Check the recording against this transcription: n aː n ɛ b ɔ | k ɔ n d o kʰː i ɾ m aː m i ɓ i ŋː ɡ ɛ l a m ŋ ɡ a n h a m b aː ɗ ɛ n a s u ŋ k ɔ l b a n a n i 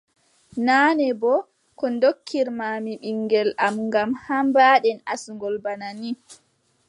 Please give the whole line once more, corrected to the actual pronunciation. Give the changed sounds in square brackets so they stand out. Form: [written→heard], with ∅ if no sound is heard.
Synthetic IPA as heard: n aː n ɛ b ɔ | k ɔ n d o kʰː i ɾ m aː m i ɓ i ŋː ɡ ɛ l a m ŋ ɡ a [n→m] h a m b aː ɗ ɛ n a s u ŋ [k→ɡ] ɔ l b a n a n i